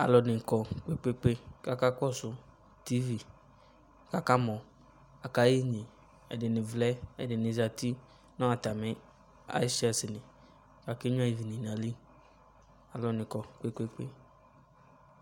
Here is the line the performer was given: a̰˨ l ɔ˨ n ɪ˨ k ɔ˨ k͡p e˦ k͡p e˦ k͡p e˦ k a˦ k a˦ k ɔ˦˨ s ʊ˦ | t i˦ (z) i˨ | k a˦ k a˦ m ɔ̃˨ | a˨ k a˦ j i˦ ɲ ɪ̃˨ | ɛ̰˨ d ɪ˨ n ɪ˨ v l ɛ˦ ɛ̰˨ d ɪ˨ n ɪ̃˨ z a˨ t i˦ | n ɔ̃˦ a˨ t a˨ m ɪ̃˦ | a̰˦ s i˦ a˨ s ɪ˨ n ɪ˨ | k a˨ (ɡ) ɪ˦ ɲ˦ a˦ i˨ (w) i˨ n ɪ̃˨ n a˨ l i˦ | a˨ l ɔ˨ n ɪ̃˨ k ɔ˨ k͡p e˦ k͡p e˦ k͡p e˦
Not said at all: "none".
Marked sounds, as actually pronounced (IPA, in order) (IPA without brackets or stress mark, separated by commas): v, k, v